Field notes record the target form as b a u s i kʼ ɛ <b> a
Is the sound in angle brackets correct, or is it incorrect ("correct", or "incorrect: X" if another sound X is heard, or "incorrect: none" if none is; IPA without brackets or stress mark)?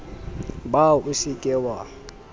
incorrect: w